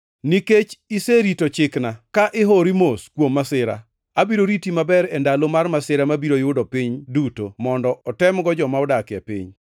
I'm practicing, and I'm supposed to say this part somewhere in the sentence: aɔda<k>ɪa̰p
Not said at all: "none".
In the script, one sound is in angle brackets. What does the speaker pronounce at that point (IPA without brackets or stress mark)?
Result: k